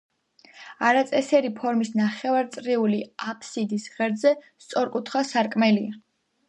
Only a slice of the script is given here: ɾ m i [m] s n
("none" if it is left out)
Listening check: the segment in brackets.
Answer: none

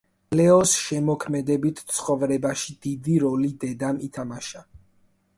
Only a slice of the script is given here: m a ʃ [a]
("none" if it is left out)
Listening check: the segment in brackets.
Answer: a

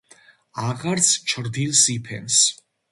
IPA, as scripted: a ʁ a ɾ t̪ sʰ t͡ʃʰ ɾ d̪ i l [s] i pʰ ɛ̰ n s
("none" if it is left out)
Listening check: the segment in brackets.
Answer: s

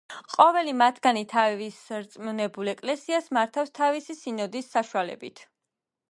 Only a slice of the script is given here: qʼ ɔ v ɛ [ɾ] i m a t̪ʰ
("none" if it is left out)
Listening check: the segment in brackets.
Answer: l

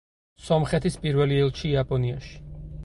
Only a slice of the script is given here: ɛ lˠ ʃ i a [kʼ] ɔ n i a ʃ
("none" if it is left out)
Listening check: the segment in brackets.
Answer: pʼ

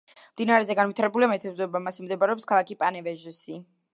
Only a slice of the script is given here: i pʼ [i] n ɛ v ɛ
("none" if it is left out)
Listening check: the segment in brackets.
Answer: a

